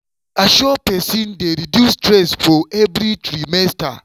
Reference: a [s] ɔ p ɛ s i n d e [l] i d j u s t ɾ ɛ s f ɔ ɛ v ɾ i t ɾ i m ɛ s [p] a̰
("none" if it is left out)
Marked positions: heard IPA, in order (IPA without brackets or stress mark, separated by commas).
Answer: ʃ, ɾ, t